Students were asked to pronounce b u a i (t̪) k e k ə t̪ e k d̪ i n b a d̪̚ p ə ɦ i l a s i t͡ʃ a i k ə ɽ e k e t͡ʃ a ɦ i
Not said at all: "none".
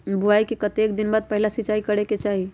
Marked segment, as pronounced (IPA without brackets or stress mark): none